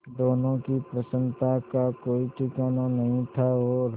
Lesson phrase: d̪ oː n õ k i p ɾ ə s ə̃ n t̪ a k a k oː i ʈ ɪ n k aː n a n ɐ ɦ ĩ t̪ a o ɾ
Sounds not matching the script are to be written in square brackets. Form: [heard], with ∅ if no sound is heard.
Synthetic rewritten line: d̪ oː n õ k i p ɾ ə s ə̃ n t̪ a k a k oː i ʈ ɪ [∅] k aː n a n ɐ ɦ ĩ [t̪ʰ] a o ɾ